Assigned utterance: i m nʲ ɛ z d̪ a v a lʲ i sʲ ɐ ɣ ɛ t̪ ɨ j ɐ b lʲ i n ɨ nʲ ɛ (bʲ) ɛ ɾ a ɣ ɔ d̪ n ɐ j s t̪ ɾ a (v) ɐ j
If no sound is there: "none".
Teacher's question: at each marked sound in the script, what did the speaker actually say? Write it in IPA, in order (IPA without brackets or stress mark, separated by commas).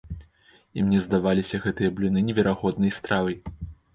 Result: vʲ, v